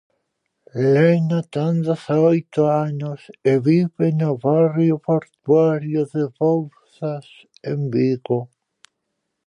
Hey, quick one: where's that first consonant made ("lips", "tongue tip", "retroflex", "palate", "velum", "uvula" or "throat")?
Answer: tongue tip